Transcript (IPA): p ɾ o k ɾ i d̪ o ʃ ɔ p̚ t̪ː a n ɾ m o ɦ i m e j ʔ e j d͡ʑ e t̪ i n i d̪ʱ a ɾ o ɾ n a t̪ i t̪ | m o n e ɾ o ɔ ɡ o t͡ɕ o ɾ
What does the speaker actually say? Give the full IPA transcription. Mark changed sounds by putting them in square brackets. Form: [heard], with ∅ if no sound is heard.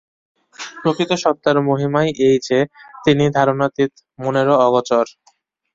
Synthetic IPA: p ɾ o k ɾ i [t̪] o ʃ ɔ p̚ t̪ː a [∅] ɾ m o ɦ i m [a] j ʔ e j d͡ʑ e t̪ i n i d̪ʱ a ɾ o [∅] n a t̪ i t̪ | m o n e ɾ o ɔ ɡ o t͡ɕ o ɾ